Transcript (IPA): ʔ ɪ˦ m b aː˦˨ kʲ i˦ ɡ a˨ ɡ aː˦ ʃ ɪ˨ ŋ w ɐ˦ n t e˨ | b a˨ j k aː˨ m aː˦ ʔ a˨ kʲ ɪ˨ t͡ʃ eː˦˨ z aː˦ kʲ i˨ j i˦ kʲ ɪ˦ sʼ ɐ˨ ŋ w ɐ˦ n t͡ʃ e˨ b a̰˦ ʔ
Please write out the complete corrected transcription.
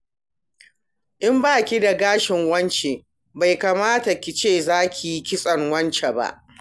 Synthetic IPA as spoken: ʔ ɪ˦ m b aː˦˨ kʲ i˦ d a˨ ɡ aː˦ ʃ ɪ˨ ŋ w ɐ˦ n t͡ʃ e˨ | b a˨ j k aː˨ m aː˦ t a˨ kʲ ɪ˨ t͡ʃ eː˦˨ z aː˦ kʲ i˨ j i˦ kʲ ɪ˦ sʼ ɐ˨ ŋ w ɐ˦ n t͡ʃ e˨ b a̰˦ ʔ